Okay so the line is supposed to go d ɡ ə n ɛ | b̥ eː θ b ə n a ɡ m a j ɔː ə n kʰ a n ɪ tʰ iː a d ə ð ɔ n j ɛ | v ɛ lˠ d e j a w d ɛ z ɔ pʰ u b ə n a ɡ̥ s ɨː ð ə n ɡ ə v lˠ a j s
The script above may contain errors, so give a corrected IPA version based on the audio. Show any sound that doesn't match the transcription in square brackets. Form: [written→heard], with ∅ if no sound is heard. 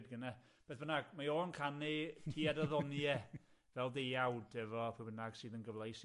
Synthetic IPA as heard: d ɡ ə n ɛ | b̥ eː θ b ə n a ɡ m a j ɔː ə n kʰ a n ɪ tʰ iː a d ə ð ɔ n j ɛ | v ɛ lˠ d e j a w d ɛ [z→v] ɔ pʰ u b ə n a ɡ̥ s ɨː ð ə n ɡ ə v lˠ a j s